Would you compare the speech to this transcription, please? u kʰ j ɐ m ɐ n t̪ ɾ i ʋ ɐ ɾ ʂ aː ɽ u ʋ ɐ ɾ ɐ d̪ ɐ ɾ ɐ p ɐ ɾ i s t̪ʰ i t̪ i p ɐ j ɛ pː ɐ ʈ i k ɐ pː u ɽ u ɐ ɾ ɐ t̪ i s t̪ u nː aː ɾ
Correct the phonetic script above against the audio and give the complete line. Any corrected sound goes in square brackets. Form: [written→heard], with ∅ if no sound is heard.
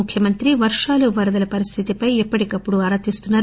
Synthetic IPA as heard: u kʰ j ɐ m ɐ n t̪ ɾ i ʋ ɐ ɾ ʂ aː [ɽ→l] u ʋ ɐ ɾ ɐ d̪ ɐ [ɾ→l] ɐ p ɐ ɾ i s t̪ʰ i t̪ i p ɐ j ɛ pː ɐ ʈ i k ɐ pː u ɽ u ɐ ɾ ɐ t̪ i s t̪ u nː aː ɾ